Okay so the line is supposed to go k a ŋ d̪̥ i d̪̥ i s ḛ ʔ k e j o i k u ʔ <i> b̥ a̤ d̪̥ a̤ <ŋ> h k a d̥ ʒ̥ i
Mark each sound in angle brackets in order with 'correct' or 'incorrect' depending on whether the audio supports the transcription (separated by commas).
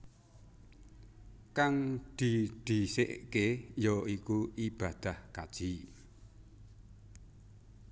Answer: correct, incorrect